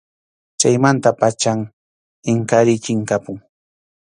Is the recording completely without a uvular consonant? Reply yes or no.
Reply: yes